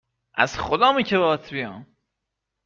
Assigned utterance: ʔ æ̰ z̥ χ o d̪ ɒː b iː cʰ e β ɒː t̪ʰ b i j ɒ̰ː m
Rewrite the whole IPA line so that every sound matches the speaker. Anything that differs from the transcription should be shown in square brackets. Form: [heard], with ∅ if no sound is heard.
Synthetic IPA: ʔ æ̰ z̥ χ o d̪ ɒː [m] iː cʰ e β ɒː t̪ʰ b i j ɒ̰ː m